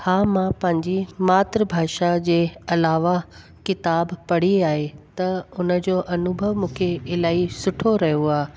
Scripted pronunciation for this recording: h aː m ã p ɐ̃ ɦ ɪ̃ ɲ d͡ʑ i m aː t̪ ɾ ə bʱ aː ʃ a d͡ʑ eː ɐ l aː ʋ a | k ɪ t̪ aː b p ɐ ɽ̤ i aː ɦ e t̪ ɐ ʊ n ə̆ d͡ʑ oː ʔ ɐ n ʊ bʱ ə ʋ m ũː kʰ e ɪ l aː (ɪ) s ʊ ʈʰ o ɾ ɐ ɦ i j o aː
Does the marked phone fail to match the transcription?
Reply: yes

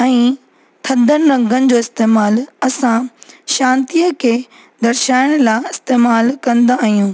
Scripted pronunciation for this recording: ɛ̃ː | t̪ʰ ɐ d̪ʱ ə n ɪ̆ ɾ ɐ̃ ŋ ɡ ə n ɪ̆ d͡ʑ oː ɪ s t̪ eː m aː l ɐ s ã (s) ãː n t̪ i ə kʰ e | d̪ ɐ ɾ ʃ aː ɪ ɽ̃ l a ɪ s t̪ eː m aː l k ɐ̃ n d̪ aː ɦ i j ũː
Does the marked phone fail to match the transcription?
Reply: yes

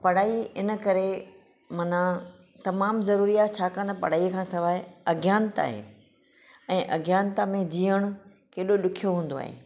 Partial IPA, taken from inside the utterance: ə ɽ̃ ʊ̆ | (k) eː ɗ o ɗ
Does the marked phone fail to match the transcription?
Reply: no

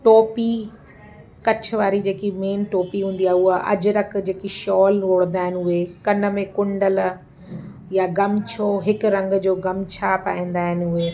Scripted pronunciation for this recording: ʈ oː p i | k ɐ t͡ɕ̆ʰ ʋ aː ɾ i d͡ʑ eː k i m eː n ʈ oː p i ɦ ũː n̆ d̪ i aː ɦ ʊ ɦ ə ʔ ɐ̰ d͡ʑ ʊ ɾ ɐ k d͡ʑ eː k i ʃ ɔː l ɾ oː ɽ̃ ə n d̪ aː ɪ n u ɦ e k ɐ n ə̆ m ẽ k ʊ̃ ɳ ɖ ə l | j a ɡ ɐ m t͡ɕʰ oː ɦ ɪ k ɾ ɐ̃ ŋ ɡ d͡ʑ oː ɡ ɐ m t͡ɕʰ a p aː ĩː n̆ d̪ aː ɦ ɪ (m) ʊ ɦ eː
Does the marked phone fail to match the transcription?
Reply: yes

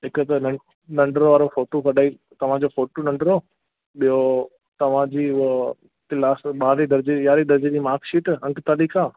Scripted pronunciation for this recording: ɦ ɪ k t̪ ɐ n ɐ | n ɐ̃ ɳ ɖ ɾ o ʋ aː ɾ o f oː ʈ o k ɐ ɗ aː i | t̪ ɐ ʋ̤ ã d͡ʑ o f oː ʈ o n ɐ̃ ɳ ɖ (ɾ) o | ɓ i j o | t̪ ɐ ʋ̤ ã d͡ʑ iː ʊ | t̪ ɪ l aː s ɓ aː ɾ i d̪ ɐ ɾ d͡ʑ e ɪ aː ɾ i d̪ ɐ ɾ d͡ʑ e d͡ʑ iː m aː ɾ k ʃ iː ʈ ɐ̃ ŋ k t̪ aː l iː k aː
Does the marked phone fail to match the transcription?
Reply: no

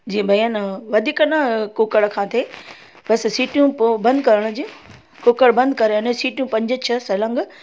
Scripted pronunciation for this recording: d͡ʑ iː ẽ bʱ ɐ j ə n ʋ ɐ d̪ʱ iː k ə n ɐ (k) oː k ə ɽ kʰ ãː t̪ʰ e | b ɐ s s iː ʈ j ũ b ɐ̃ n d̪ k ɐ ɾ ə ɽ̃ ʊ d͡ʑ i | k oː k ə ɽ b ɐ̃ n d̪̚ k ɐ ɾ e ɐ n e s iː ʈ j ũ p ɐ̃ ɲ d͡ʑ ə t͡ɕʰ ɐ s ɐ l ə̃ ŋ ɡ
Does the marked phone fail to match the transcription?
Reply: no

